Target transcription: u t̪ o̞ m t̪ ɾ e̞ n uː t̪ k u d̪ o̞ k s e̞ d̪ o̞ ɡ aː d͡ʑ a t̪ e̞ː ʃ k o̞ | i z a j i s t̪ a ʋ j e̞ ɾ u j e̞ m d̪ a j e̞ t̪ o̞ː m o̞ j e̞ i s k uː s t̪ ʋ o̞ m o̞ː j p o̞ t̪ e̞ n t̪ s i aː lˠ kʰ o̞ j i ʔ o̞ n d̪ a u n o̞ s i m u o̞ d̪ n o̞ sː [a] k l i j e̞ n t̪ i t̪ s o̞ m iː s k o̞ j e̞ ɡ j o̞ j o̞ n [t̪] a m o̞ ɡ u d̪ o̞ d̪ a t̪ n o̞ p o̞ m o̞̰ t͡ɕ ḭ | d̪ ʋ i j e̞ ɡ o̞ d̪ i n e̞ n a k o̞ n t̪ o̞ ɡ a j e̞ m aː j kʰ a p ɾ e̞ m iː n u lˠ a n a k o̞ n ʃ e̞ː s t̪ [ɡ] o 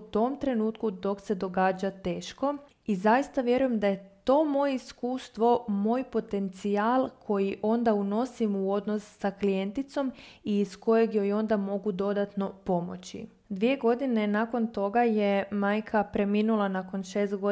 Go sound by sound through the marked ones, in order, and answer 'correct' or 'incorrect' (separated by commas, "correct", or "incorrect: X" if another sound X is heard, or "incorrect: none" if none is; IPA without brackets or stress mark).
correct, incorrect: d̪, correct